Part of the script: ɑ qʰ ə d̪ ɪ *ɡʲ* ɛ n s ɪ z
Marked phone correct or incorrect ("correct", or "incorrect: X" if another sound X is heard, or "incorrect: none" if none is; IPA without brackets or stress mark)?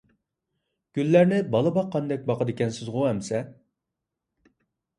incorrect: kʲ